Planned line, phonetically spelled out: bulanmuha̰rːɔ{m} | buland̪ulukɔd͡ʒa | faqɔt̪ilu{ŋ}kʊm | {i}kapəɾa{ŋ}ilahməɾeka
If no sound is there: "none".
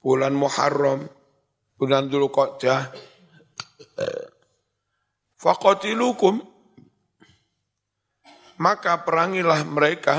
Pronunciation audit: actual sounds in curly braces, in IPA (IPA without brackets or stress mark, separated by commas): m, none, a, ŋ